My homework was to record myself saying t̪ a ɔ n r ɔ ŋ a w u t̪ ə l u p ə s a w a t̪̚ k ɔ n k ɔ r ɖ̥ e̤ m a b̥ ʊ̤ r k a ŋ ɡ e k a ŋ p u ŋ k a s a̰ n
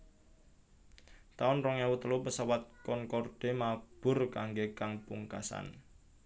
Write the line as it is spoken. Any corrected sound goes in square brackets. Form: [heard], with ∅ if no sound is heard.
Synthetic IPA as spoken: t̪ a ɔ n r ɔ ŋ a w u t̪ ə l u p ə s a w a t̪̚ k ɔ n k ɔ r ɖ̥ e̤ m a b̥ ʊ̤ r k a ŋ ɡ e k a ŋ p u ŋ k a s a̰ n